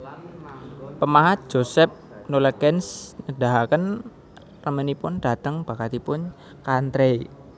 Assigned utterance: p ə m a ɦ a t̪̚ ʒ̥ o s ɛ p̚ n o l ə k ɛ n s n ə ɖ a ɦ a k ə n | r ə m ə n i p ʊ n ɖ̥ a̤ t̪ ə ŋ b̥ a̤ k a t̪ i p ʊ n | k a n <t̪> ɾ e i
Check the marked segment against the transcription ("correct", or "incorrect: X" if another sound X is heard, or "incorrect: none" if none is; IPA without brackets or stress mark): correct